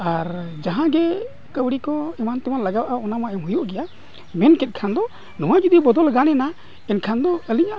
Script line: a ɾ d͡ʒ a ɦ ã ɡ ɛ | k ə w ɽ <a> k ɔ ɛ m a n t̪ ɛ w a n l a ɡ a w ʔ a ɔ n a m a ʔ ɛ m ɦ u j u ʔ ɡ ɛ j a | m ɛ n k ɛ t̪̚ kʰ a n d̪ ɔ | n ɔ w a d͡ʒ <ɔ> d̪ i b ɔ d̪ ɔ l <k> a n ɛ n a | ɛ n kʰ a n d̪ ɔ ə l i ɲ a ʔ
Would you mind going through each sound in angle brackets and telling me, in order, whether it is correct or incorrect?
incorrect: i, incorrect: u, incorrect: ɡ

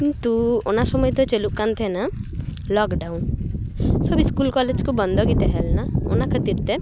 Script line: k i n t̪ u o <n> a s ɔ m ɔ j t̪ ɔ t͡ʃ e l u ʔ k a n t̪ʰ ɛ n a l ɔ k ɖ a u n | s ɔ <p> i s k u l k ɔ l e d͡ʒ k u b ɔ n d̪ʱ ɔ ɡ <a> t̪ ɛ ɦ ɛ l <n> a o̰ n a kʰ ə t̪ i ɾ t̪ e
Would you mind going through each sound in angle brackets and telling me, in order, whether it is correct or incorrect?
correct, incorrect: b, incorrect: i, correct

